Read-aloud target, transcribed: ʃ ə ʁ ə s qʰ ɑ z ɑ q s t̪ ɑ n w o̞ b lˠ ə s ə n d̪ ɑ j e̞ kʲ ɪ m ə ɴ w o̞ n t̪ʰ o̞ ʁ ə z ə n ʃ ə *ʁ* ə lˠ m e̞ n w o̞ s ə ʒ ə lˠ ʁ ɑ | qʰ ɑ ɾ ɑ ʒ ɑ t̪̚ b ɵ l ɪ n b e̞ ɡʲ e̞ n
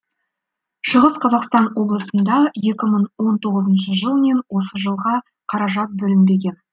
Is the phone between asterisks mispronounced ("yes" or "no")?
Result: yes